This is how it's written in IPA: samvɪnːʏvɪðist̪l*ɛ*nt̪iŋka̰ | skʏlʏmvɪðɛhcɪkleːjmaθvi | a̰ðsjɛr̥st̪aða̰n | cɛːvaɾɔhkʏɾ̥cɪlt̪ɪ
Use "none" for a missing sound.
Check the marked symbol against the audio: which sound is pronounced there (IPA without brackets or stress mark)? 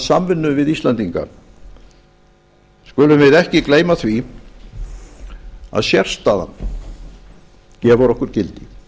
a